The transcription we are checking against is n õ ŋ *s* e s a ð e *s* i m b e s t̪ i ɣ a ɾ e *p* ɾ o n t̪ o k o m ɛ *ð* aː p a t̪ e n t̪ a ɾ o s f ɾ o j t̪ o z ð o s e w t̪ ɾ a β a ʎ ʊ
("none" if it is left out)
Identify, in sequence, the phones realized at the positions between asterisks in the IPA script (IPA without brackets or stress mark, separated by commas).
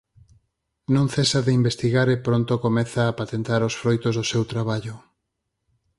θ, none, p, θ